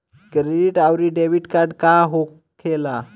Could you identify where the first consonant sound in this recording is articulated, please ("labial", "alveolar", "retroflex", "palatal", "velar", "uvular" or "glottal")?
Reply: velar